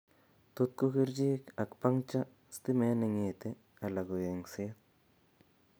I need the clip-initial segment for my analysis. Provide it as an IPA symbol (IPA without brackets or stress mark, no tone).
t̪